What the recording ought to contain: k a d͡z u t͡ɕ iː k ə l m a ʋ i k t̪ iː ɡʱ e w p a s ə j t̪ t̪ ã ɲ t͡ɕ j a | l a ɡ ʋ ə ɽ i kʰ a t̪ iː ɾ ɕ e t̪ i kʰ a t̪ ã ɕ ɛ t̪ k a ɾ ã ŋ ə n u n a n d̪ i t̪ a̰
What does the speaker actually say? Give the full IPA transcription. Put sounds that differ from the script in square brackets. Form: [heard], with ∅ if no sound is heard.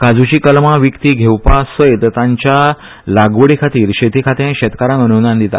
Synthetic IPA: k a d͡z u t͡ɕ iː k ə l m a ʋ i k t̪ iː ɡʱ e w p a s ə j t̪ t̪ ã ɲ t͡ɕ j a | l a ɡ ʋ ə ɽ i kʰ a t̪ iː ɾ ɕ e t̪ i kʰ a t̪ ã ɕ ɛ t̪ k a ɾ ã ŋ ə n u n a n d̪ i t̪ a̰